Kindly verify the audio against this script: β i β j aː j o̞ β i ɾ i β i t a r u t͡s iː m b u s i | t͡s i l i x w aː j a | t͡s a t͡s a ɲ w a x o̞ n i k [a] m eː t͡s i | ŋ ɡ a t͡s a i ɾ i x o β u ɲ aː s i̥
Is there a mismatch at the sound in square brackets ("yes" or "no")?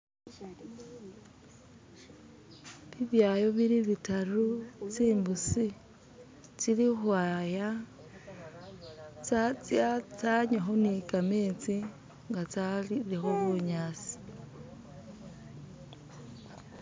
no